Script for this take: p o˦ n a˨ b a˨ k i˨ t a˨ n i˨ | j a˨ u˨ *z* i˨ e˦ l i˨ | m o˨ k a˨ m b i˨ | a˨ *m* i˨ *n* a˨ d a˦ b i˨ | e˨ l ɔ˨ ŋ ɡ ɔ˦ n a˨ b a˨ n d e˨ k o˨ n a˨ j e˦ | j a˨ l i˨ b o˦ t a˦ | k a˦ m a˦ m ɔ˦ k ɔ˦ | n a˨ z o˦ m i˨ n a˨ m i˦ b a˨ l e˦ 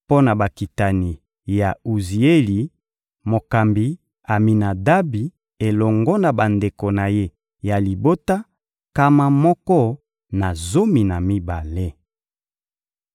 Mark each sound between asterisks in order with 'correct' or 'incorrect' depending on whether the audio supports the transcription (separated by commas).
correct, correct, correct